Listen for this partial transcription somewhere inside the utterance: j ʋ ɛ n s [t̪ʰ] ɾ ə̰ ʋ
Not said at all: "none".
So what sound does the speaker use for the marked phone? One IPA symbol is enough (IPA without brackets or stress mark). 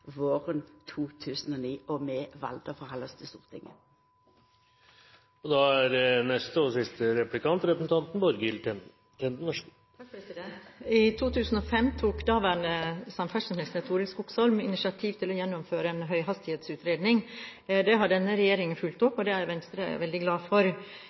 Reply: t̪